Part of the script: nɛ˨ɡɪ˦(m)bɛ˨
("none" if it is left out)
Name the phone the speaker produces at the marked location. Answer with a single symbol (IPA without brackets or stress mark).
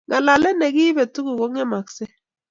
none